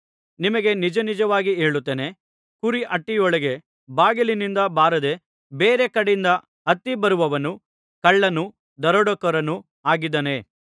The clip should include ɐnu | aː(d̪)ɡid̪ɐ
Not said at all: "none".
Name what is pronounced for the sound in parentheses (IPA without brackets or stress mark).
none